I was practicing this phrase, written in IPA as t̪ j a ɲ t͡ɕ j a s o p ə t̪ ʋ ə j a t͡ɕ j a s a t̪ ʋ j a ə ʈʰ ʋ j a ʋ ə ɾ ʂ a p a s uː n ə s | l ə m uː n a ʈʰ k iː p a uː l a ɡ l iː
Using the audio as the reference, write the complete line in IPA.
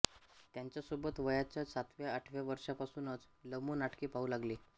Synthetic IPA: t̪ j a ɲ t͡ɕ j a s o b ə t̪ ʋ ə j a t͡ɕ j a s a t̪ ʋ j a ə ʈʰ ʋ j a ʋ ə ɾ ʂ a p a s uː n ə t͡s | l ə m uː n a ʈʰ k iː p a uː l a ɡ l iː